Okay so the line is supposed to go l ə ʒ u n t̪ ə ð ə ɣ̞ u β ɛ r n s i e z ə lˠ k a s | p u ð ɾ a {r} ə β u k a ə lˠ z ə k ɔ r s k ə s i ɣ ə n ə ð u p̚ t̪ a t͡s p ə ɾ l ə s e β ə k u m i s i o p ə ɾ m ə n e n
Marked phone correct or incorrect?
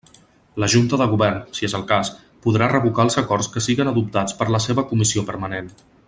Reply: correct